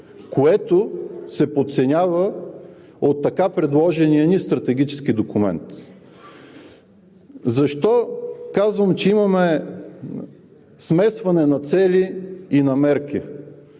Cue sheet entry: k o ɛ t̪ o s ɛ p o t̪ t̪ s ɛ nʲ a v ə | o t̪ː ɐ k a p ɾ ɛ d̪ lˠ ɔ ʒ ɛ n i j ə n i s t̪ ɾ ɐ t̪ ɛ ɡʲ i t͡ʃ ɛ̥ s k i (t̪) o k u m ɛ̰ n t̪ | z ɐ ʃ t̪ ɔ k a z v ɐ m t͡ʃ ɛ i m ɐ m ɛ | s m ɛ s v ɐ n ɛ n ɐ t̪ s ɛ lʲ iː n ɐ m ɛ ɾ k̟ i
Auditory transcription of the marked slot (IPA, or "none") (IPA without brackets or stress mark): d̪